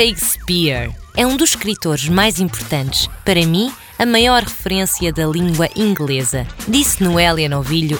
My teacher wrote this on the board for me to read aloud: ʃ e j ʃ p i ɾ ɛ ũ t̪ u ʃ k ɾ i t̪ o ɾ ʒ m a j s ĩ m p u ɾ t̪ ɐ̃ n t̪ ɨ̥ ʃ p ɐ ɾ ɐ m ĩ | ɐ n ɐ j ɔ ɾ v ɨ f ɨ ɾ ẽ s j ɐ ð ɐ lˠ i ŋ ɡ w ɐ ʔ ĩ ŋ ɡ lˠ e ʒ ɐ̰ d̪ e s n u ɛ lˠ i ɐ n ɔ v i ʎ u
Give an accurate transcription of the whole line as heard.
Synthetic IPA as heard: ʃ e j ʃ p i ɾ ɛ ũ d̪ u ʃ k ɾ i t̪ o ɾ ʒ m a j z ĩ m p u ɾ t̪ ɐ̃ n t̪ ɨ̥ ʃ p ɐ ɾ ɐ m ĩ | ɐ m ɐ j ɔ ɾ ʁ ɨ f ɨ ɾ ẽ s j ɐ ð ɐ lˠ ĩ ŋ ɡ w ɐ ʔ ĩ ŋ ɡ lˠ e z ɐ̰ d̪ i s n u ɛ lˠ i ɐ n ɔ v i ʎ u